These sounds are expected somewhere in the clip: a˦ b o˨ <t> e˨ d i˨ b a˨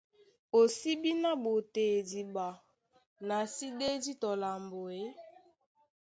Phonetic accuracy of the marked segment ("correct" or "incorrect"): correct